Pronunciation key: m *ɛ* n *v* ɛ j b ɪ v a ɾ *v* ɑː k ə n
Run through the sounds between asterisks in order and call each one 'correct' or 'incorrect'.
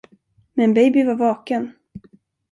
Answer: correct, incorrect, correct

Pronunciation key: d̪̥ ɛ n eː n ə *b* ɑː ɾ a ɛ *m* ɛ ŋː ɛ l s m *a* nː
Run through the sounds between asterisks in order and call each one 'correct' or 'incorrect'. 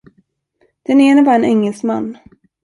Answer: correct, incorrect, correct

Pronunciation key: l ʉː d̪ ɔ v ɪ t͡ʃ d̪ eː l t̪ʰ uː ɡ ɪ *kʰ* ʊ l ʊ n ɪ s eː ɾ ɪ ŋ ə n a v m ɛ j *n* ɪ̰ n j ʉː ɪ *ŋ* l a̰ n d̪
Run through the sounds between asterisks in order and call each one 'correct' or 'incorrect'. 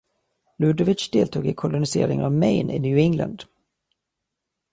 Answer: correct, correct, correct

